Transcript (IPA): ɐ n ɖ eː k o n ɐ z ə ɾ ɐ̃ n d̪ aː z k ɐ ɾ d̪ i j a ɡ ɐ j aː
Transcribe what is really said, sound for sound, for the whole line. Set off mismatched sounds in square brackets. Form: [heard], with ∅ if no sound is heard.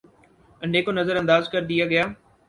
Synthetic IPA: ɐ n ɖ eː k o n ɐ z ə ɾ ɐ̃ n d̪ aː z k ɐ ɾ d̪ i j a ɡ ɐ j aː